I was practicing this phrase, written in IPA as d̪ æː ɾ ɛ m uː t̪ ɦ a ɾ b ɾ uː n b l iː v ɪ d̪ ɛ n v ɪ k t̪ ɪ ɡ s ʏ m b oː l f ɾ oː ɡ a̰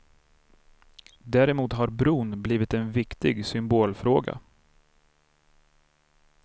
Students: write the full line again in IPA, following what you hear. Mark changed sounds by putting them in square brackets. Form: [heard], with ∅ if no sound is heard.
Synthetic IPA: d̪ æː ɾ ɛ m uː t̪ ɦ a ɾ b ɾ uː n b l iː v ɪ [t̪] ɛ n v ɪ k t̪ ɪ ɡ s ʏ m b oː l f ɾ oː ɡ a̰